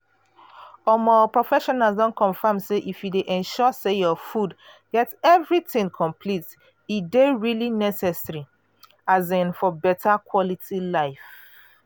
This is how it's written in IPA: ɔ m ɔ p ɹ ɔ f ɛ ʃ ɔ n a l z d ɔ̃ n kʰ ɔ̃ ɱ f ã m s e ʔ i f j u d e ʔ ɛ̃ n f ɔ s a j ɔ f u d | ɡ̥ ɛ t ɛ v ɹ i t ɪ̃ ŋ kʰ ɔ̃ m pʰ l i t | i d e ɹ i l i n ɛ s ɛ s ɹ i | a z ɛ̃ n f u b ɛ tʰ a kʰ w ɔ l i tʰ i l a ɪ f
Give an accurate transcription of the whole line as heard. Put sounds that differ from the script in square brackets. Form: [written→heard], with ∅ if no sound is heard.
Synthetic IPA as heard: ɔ m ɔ p ɹ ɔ f ɛ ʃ ɔ n a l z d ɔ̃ n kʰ ɔ̃ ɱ f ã m s e ʔ i f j u d e ʔ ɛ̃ n [f→ʃ] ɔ s [a→e] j ɔ f u d | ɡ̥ ɛ t ɛ v ɹ i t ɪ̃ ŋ kʰ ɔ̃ m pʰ l i t | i d e ɹ i l i n ɛ s ɛ s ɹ i | a z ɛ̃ n f [u→ɔ] b ɛ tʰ a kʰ w ɔ l i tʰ i l a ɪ f